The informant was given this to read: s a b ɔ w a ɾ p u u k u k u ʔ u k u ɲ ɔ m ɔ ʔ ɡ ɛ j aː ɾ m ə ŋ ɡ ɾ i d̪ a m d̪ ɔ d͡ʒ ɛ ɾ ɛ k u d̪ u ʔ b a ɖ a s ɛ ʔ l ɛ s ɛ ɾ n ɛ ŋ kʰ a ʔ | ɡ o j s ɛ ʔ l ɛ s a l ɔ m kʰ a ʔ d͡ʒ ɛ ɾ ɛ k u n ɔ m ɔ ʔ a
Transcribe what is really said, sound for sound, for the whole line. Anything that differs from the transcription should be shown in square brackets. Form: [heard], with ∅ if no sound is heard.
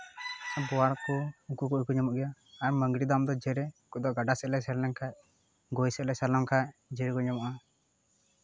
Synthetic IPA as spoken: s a b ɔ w a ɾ [k] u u k u k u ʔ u k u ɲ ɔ m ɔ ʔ ɡ ɛ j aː ɾ m ə ŋ ɡ ɾ i d̪ a m d̪ ɔ d͡ʒ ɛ ɾ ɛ k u d̪ [ɔ] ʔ [ɡ] a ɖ a s ɛ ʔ l ɛ s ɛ ɾ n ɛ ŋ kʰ a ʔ | ɡ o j s ɛ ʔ l ɛ s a l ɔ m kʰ a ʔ d͡ʒ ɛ ɾ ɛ k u [ɲ] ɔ m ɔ ʔ a